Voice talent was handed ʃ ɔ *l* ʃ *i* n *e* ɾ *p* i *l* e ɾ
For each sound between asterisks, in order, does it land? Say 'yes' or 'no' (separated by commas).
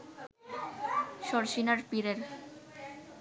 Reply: no, yes, no, yes, no